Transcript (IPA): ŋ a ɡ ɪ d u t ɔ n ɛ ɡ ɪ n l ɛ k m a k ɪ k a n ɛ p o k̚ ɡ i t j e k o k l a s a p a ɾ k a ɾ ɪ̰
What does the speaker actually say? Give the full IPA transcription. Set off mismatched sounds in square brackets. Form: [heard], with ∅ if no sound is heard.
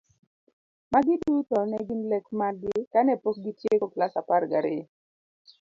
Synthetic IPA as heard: [m] a ɡ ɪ d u t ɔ n ɛ ɡ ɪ n l ɛ k m a [ɡ] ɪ k a n ɛ p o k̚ ɡ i t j e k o k l a s a p a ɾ [ɡ] a ɾ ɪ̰